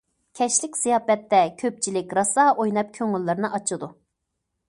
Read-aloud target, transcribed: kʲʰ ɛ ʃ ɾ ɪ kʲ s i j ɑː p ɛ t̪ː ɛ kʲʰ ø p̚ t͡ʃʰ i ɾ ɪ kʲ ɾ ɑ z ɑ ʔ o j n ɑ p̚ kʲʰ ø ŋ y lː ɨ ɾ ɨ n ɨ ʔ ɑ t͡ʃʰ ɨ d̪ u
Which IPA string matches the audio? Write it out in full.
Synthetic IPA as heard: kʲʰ ɛ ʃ l ɪ kʲ s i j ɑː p ɛ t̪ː ɛ kʲʰ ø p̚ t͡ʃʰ i l ɪ kʲ ɾ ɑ s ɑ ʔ o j n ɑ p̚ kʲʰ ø ŋ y lː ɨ ɾ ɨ n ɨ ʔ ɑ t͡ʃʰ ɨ d̪ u